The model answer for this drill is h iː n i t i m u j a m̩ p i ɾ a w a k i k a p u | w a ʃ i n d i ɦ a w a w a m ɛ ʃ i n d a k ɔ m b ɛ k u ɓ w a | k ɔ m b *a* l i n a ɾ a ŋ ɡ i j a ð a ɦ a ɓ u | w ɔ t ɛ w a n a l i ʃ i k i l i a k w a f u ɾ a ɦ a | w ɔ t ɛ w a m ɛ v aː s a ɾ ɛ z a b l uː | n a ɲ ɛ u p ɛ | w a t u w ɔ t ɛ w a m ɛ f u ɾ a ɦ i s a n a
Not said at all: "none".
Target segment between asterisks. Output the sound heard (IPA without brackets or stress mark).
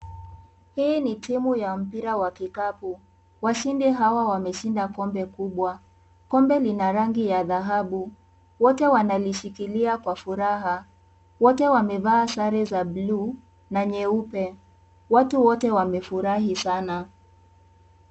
ɛ